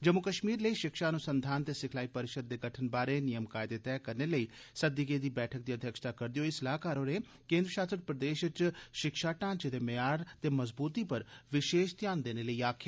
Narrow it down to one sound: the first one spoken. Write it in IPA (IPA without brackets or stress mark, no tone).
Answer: d͡ʒ